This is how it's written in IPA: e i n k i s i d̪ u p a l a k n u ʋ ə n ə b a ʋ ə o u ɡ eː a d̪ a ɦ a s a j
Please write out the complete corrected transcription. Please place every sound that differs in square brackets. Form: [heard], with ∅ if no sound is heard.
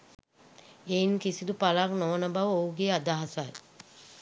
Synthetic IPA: e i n k i s i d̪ u p a l a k n [o] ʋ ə n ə b a ʋ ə o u ɡ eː a d̪ a ɦ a s a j